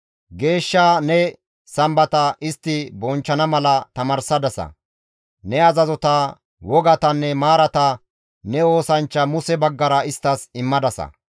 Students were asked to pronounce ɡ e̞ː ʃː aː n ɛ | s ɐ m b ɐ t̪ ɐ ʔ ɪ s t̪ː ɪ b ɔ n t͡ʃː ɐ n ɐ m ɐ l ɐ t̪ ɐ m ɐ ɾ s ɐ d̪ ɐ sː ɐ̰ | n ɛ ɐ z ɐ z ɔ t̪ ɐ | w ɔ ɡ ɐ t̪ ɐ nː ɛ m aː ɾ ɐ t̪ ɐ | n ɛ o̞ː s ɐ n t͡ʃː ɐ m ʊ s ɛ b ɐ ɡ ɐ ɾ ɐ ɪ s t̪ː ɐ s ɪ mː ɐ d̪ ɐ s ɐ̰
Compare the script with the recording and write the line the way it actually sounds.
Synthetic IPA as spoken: ɡ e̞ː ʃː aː n ɛ | s ɐ m b ɐ t̪ ɐ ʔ ɪ s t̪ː ɪ b ɔ n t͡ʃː ɐ n ɐ m ɐ l ɐ t̪ ɐ m ɐ ɾ s ɐ d̪ ɐ s ɐ̰ | n ɛ ɐ z ɐ z ɔ t̪ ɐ | w ɔ ɡ ɐ t̪ ɐ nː ɛ m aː ɾ ɐ t̪ ɐ | n ɛ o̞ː s ɐ n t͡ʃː ɐ m ʊ s ɛ b ɐ ɡː ɐ ɾ ɐ ɪ s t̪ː ɐ s ɪ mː ɐ d̪ ɐ s ɐ̰